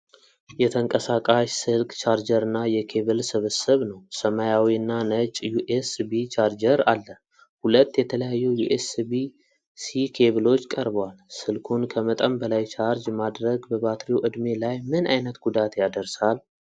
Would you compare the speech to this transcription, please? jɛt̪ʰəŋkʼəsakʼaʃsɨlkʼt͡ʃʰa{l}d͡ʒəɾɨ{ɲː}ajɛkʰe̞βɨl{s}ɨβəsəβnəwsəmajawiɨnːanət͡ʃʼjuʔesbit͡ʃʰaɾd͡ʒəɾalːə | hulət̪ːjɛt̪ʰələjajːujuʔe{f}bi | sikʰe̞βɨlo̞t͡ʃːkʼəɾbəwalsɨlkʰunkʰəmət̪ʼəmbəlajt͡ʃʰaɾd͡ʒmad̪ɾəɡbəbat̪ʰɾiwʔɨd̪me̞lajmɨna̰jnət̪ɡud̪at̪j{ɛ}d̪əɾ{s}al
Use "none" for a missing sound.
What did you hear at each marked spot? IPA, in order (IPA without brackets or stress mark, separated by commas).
ɾ, nː, s, s, a, s